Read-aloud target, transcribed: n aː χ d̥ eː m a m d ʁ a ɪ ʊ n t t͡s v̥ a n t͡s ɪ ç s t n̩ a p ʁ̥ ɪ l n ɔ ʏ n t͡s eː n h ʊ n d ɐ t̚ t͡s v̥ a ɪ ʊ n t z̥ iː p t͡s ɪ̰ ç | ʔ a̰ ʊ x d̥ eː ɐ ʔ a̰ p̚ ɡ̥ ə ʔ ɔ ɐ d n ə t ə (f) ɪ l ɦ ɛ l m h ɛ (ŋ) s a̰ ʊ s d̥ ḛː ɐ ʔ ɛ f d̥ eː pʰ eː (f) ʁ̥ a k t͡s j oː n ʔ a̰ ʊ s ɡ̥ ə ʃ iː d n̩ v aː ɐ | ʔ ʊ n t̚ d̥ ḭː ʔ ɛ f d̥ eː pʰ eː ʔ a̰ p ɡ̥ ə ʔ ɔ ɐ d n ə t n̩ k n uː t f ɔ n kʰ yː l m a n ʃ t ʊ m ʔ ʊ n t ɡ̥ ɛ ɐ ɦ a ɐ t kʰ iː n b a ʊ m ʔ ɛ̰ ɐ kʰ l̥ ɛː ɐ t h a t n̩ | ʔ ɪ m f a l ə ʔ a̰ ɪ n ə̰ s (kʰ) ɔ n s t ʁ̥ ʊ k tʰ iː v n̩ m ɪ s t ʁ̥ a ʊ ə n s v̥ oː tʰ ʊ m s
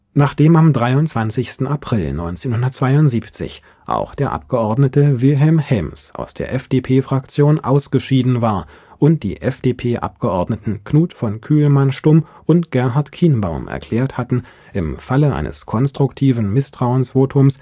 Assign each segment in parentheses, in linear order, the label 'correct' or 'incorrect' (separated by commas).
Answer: incorrect, incorrect, correct, correct